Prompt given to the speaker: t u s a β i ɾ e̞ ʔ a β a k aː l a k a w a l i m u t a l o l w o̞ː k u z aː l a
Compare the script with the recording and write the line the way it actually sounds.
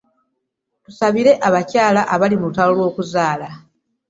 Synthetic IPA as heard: t u s a β i ɾ e̞ ʔ a β a c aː l a ʔ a β a l i m u t a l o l w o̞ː k u z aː l a